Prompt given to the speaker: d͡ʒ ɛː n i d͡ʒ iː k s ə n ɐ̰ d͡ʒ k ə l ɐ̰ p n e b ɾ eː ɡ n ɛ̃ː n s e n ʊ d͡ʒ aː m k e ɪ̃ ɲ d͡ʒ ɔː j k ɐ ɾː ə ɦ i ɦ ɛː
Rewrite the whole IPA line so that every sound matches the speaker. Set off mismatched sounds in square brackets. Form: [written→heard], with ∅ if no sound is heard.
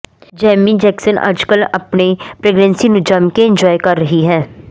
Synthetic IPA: d͡ʒ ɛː [n→m] i d͡ʒ [iː→ɛː] k s ə n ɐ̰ d͡ʒ k ə l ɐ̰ p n e [b→p] ɾ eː ɡ n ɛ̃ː n s [e→i] n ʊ d͡ʒ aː m k e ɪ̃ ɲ d͡ʒ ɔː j k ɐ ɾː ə ɦ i ɦ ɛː